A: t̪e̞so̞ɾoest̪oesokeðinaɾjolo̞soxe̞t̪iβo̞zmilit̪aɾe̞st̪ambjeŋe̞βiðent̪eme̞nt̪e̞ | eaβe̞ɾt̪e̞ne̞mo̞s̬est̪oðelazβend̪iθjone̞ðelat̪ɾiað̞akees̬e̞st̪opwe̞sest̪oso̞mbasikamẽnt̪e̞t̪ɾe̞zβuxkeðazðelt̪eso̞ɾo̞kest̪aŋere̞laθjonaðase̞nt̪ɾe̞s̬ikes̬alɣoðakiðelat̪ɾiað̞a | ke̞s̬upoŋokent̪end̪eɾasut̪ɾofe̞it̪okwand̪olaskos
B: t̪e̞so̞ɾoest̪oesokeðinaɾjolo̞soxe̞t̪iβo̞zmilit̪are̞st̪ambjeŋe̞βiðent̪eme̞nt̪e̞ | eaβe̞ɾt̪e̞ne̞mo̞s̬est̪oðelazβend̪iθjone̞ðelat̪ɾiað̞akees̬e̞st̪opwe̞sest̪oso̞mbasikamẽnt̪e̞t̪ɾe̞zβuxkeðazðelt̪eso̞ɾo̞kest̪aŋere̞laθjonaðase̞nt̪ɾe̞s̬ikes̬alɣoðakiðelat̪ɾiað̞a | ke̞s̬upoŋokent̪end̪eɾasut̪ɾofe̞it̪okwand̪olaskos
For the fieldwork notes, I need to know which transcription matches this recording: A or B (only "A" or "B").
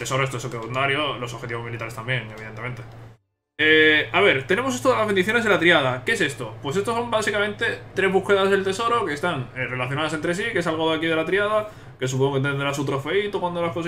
A